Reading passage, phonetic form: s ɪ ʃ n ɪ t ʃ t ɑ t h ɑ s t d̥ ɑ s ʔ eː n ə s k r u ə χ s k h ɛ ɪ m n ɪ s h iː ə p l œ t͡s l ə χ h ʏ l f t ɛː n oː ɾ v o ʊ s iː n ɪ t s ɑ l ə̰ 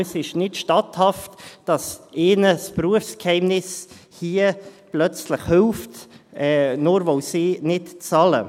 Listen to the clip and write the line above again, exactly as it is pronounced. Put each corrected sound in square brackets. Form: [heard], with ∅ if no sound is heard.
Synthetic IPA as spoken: s ɪ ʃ n ɪ t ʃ t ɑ t h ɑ [f] t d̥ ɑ s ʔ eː n ə s [p] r u ə [f] s k h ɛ ɪ m n ɪ s h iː ə p l œ t͡s l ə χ h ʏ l f t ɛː n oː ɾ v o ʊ s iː n ɪ t [t͡s] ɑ l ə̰